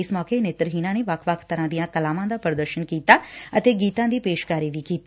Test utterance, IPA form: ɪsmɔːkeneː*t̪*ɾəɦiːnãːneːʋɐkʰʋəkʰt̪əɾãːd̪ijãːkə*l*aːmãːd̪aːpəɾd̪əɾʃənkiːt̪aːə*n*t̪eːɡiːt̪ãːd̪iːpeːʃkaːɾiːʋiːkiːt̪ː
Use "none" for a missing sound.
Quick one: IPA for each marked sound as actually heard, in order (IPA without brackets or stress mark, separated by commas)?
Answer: t̪, l, none